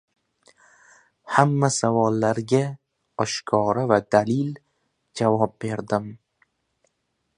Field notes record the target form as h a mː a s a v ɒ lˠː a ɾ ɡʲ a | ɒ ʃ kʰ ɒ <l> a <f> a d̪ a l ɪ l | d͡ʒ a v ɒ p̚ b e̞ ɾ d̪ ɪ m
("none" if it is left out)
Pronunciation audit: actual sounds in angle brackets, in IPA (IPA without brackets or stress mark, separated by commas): ɾ, v